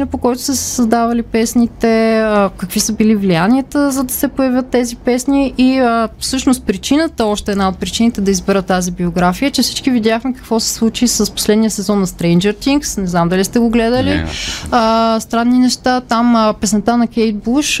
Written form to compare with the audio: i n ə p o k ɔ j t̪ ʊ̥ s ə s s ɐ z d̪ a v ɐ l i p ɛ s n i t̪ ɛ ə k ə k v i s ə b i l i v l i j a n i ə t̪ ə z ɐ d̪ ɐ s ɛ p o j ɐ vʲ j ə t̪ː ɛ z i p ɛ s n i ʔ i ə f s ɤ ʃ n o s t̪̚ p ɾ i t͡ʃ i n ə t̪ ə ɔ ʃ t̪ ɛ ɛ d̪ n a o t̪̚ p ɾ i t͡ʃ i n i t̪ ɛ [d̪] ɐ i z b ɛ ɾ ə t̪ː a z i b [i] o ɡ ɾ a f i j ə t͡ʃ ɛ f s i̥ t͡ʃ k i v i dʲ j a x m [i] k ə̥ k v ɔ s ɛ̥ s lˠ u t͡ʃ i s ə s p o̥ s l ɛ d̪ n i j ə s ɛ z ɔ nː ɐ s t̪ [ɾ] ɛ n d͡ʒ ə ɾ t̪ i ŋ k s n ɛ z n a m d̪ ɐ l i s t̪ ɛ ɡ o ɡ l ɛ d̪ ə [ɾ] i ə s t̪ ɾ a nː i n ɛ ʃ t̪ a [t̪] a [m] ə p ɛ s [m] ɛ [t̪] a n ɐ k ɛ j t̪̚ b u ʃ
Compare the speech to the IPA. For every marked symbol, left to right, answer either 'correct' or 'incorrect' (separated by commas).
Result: correct, correct, incorrect, correct, incorrect, correct, correct, incorrect, correct